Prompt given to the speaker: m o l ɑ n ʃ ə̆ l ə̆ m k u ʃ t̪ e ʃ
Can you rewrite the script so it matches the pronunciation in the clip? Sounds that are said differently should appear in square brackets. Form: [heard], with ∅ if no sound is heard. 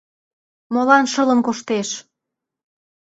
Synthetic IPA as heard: m o l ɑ n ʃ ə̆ l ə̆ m k [o] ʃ t̪ e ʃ